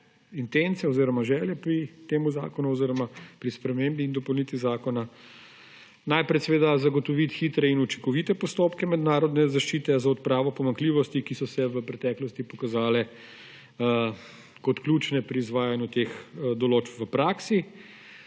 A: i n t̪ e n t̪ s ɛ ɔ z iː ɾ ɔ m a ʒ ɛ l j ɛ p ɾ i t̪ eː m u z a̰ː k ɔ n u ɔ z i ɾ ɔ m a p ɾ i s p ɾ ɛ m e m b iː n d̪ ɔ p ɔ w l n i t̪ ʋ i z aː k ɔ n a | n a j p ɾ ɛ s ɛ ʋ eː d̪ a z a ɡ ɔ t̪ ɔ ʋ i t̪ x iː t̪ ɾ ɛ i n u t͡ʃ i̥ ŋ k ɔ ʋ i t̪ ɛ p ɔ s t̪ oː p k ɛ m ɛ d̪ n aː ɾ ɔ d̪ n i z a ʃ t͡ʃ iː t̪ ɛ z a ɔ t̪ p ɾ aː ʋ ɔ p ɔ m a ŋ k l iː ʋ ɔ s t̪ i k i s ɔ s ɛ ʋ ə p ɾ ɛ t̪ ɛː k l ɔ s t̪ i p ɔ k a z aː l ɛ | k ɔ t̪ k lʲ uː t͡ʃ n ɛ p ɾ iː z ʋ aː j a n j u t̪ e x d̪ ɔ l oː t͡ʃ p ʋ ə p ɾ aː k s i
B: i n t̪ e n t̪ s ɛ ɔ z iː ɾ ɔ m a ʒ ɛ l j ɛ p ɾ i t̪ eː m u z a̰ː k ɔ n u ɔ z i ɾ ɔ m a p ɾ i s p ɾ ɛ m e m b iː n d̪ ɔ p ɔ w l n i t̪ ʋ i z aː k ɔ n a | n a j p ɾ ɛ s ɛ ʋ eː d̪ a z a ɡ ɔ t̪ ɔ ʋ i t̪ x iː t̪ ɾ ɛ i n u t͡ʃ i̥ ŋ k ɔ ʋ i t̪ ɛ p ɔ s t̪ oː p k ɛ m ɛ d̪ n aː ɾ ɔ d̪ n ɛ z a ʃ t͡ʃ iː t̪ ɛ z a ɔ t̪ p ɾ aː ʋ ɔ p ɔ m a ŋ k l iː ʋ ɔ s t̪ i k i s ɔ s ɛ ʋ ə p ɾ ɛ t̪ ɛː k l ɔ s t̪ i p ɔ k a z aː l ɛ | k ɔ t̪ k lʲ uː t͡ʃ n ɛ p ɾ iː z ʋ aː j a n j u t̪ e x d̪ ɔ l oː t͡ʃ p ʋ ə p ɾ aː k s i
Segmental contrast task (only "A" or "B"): B